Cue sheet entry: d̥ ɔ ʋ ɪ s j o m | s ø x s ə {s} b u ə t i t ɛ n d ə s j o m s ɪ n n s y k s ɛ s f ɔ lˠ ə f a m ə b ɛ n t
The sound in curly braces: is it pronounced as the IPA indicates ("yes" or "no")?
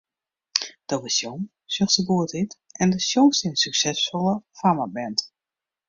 no